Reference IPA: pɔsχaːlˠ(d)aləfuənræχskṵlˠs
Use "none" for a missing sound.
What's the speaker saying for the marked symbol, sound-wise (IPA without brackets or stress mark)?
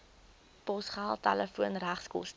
t